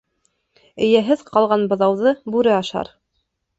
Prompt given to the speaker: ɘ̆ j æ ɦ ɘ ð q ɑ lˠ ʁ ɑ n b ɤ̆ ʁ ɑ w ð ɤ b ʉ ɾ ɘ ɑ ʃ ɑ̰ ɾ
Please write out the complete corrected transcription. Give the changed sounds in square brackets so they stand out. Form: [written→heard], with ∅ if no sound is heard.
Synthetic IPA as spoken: ɘ̆ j æ ɦ ɘ ð q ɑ lˠ ʁ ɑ n b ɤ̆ [ʁ→ð] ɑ w ð ɤ b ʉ ɾ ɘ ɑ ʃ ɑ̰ ɾ